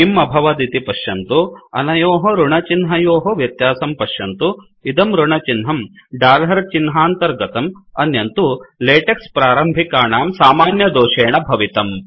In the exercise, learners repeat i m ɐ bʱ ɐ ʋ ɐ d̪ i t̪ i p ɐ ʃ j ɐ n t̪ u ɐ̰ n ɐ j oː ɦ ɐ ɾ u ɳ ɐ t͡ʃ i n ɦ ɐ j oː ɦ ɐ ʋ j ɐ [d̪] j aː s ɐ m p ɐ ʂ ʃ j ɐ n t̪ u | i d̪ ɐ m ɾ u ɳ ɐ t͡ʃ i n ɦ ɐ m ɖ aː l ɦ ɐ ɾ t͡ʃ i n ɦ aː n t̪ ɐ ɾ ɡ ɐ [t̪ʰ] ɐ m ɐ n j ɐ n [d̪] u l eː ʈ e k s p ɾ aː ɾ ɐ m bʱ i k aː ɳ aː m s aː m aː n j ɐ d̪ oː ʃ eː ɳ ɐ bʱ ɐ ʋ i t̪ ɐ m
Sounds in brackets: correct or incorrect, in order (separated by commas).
incorrect, incorrect, incorrect